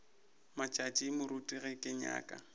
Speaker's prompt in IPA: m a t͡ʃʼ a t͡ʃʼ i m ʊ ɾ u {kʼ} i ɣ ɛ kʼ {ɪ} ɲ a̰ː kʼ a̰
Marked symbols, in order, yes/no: no, yes

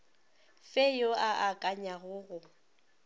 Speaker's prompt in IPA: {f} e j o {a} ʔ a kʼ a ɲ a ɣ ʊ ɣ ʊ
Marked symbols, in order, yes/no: yes, yes

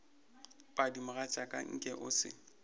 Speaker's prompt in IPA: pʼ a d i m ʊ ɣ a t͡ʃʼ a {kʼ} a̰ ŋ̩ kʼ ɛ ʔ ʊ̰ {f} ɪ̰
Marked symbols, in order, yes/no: yes, no

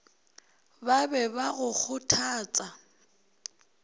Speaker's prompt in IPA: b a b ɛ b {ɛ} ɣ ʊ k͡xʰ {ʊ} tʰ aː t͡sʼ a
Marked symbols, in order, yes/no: no, yes

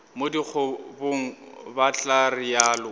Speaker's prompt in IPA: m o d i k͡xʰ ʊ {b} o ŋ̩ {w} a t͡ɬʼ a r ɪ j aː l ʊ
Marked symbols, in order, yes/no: yes, no

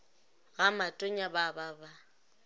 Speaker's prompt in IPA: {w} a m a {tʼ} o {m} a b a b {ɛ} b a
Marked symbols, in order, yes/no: no, yes, no, no

